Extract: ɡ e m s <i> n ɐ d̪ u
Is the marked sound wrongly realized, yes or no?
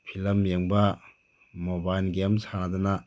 yes